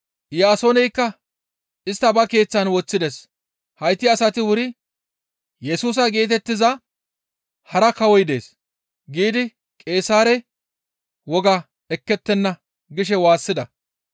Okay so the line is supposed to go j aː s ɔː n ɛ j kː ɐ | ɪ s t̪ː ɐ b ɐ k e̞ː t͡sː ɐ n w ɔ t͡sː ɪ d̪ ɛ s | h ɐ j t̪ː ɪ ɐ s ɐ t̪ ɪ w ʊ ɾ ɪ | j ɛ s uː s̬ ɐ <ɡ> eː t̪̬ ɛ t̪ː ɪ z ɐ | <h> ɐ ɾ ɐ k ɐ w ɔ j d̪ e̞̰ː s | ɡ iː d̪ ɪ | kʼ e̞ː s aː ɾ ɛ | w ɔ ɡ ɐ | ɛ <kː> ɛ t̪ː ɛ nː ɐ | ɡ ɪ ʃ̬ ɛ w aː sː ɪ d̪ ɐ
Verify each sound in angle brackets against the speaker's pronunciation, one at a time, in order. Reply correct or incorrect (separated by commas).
correct, correct, correct